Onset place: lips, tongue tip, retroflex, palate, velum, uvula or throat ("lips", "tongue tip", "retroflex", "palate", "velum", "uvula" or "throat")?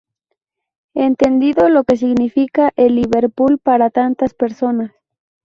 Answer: tongue tip